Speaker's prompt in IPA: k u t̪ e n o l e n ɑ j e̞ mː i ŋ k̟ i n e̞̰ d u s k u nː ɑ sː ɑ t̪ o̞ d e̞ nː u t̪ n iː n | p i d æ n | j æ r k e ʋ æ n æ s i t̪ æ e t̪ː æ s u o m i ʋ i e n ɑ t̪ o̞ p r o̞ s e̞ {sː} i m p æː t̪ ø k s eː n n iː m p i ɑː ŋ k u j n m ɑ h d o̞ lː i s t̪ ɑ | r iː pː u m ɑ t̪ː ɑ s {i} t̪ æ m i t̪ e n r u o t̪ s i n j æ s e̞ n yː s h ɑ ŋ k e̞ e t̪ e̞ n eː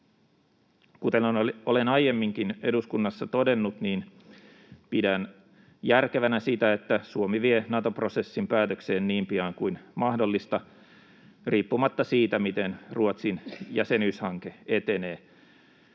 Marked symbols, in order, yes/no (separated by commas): yes, no